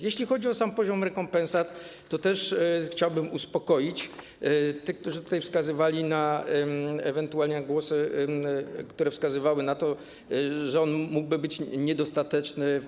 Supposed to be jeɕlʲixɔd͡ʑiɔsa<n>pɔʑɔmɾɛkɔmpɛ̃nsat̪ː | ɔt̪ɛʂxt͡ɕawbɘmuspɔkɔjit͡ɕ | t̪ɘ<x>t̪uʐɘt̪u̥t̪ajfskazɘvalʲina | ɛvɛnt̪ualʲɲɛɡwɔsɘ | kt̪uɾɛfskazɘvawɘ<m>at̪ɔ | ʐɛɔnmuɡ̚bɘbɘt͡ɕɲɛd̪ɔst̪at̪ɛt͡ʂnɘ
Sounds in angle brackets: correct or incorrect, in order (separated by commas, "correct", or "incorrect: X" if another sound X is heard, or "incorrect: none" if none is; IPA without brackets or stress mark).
incorrect: m, incorrect: k, incorrect: n